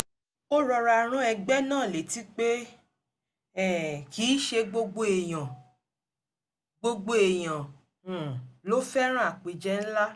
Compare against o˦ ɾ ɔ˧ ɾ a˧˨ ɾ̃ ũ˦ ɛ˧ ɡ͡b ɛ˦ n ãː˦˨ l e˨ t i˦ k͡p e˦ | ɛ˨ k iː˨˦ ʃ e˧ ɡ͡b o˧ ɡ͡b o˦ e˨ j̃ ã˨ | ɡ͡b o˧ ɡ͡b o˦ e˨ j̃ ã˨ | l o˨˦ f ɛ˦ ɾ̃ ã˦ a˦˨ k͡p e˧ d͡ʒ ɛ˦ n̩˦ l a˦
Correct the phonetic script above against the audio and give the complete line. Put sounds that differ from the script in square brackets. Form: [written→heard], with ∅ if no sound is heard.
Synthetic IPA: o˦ ɾ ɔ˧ ɾ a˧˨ ɾ̃ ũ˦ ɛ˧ ɡ͡b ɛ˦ n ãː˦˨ l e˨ t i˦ k͡p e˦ | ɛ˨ k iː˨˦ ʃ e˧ ɡ͡b o˧ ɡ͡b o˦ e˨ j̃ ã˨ | ɡ͡b o˧ ɡ͡b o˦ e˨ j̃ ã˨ | l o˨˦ f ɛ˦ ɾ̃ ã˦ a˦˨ k͡p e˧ d͡ʒ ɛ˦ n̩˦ l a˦